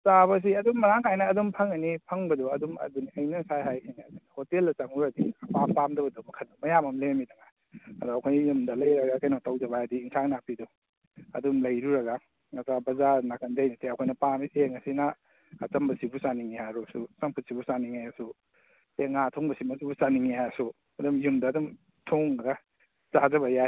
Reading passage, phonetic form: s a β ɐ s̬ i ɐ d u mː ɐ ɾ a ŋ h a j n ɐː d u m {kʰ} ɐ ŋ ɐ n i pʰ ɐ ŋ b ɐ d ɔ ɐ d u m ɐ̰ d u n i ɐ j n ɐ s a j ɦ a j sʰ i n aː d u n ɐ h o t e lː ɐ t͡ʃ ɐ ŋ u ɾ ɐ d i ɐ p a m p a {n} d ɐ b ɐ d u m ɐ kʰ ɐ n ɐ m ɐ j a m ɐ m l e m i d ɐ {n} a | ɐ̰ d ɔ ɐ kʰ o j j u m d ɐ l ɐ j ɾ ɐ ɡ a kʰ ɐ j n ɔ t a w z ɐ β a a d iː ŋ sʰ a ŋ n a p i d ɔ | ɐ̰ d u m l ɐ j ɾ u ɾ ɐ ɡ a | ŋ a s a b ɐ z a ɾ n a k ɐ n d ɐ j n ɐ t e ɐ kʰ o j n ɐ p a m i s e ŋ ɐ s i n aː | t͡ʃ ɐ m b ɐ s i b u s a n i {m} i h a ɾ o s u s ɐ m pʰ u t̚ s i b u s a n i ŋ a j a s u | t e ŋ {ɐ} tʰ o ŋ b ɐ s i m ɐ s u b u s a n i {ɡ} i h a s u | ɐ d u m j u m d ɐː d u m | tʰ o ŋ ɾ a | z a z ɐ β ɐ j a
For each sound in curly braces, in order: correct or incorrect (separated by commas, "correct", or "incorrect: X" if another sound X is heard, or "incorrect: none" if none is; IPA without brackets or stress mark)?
incorrect: pʰ, incorrect: m, incorrect: ŋ, incorrect: ŋ, incorrect: a, incorrect: ŋ